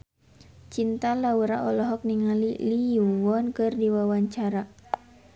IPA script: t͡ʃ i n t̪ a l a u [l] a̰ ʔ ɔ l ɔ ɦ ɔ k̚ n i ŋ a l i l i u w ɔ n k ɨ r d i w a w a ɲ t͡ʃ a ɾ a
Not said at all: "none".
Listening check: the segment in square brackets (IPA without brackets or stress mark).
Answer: ɾ